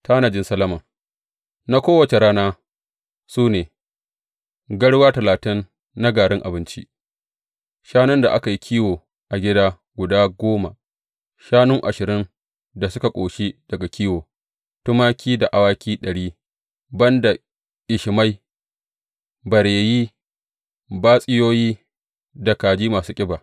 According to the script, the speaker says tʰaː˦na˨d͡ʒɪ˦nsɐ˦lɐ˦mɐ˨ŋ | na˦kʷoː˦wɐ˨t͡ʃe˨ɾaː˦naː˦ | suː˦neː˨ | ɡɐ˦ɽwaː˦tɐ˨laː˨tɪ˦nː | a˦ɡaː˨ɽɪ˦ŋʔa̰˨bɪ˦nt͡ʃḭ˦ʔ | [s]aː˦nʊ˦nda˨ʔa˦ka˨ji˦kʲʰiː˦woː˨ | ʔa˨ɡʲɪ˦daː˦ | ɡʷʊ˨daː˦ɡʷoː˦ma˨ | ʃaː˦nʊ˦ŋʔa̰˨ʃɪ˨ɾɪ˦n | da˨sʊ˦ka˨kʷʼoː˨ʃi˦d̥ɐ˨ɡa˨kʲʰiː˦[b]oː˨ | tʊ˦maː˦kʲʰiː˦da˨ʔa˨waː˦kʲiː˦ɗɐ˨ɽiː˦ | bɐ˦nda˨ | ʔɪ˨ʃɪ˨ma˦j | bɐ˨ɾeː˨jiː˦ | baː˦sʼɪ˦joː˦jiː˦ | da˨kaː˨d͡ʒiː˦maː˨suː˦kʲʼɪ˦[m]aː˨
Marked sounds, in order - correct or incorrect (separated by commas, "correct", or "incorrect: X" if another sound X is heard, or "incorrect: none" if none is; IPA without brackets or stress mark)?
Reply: incorrect: ʃ, incorrect: w, incorrect: b